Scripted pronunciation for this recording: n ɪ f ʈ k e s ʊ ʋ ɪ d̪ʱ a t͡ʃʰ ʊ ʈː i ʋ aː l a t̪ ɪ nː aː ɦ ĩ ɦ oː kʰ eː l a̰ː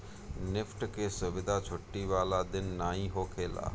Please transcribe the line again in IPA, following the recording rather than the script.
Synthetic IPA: n ɪ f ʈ k e s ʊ ʋ ɪ d̪ʱ a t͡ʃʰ ʊ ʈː i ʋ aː l a d̪ ɪ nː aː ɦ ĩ ɦ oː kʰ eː l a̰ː